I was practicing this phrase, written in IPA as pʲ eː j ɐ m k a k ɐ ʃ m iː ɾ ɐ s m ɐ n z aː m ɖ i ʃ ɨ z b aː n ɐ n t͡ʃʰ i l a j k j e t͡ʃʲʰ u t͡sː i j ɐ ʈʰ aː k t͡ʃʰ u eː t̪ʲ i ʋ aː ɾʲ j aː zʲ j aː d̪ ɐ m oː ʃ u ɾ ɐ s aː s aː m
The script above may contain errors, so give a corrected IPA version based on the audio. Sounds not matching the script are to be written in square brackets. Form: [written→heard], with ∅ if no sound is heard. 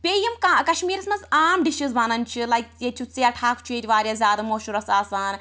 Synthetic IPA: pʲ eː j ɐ m k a k ɐ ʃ m iː ɾ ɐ s m ɐ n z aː m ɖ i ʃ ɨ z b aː n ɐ n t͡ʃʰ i l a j k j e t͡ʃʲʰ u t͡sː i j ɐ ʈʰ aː k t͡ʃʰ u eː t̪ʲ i ʋ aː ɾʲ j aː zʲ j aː d̪ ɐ m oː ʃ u ɾ ɐ s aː s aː [m→n]

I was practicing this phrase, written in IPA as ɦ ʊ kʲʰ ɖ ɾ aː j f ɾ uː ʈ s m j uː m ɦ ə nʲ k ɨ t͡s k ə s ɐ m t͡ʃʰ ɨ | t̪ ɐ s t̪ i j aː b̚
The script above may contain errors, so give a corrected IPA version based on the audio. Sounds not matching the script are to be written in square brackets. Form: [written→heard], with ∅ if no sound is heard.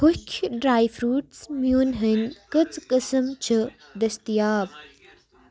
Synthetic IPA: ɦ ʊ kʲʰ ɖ ɾ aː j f ɾ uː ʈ s m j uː [m→n] ɦ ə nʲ k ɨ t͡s k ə s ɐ m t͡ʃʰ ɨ | [t̪→d̪] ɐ s t̪ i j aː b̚

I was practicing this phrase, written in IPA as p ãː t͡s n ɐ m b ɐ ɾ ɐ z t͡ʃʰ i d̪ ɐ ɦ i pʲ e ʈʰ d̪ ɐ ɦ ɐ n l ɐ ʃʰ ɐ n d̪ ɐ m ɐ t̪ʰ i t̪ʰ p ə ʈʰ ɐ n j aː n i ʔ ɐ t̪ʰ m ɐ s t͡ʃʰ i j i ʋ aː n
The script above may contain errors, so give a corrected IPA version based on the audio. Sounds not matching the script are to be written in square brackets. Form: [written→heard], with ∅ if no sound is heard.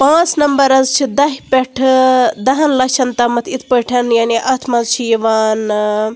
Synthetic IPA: p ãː t͡s n ɐ m b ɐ ɾ ɐ z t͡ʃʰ i d̪ ɐ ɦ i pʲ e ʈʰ d̪ ɐ ɦ ɐ n l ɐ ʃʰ ɐ n [d̪→t̪] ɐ m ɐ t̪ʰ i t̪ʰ p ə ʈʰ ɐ n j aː n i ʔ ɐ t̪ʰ m ɐ [s→z] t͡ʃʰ i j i ʋ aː n

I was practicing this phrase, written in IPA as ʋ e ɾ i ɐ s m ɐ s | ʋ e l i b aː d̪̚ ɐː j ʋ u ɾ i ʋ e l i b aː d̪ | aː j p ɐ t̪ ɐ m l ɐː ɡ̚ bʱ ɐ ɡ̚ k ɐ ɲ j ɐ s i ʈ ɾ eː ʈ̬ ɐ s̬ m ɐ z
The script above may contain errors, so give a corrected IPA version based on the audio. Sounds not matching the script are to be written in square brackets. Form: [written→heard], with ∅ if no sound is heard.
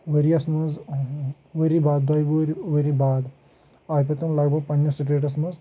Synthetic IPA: ʋ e ɾ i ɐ s m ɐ [s→z] | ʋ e [l→ɾ] i b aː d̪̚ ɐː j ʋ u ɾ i ʋ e [l→ɾ] i b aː d̪ | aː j p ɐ t̪ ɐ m l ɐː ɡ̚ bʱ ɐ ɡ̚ [k→p] ɐ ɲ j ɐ s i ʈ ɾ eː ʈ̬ ɐ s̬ m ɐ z

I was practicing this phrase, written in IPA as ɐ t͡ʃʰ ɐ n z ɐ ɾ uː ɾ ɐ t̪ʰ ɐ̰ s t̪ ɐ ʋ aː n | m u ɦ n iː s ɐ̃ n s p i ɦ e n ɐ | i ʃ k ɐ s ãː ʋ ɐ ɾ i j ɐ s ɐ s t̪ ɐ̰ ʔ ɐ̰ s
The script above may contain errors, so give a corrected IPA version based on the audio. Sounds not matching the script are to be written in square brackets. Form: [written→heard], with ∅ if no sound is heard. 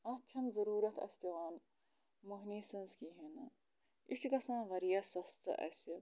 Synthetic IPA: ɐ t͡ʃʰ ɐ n z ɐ ɾ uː ɾ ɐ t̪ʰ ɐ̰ s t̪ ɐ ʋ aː n | m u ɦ n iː s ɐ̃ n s [p→k] i ɦ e n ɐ | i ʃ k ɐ s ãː ʋ ɐ ɾ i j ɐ s ɐ s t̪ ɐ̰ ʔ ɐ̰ s

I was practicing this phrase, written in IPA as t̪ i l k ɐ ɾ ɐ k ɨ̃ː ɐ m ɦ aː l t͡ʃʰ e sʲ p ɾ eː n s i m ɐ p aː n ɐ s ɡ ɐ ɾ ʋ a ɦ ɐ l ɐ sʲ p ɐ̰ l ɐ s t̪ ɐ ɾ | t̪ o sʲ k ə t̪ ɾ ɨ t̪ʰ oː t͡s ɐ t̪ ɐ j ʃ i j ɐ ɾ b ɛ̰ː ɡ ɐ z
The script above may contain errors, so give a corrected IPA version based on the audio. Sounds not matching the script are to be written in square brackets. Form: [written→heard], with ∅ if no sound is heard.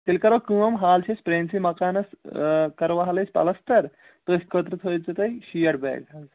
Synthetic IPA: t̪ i l k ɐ ɾ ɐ k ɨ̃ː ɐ m ɦ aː l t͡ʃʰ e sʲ p ɾ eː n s i m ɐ [p→k] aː n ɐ s [ɡ→k] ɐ ɾ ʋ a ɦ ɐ l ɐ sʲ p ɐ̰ l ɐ s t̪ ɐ ɾ | t̪ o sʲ k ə t̪ ɾ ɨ t̪ʰ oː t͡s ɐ t̪ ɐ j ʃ i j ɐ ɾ b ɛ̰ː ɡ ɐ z

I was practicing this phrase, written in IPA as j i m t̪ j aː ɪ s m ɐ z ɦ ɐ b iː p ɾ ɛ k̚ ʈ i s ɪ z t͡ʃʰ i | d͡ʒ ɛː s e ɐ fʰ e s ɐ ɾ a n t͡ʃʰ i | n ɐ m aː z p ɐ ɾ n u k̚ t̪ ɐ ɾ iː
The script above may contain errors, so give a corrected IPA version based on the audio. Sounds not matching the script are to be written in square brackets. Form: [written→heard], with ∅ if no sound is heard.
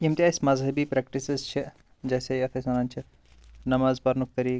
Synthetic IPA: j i m t̪ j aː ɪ s m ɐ z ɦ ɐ b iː p ɾ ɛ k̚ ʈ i s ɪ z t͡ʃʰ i | d͡ʒ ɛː s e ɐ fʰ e s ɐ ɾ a n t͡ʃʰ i | n ɐ m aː z p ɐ ɾ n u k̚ t̪ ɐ ɾ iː

